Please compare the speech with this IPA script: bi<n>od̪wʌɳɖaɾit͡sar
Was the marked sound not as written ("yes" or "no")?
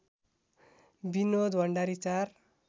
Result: no